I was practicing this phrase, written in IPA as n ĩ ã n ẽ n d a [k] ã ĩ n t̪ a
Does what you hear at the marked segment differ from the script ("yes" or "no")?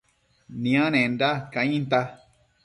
no